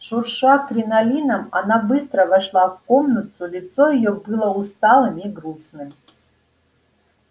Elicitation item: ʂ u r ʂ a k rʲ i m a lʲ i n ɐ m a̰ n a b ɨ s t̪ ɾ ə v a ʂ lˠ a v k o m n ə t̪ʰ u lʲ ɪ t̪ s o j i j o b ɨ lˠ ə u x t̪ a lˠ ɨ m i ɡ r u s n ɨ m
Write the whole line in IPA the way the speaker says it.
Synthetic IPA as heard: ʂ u r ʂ a k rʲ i n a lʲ i n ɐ m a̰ n a b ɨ s t̪ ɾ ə v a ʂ lˠ a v k o m n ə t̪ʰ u lʲ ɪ t̪ s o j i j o b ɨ lˠ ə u s t̪ a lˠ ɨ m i ɡ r u s n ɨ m